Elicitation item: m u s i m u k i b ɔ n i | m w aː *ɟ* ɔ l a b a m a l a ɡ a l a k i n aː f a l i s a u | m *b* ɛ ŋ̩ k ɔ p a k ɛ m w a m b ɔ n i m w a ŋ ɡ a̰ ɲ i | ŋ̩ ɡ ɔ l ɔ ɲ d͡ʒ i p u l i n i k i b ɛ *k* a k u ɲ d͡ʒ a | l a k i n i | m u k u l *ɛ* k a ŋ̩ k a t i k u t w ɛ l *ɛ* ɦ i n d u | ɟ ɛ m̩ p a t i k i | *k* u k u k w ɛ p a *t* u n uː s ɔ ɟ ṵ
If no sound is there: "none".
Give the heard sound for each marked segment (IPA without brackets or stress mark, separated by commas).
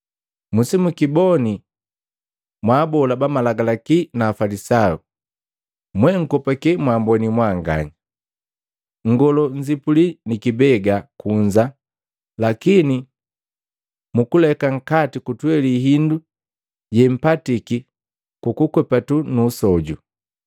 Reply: b, w, ɡ, ɛ, i, k, t